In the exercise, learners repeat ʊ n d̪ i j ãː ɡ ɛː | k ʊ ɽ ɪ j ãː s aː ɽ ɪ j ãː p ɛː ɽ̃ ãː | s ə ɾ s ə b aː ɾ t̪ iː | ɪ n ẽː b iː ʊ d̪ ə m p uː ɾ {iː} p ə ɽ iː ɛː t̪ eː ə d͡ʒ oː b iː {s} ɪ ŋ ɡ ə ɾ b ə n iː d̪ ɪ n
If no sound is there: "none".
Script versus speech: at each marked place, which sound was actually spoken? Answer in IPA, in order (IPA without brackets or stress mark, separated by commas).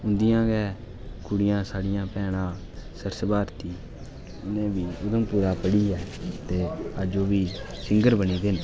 aː, s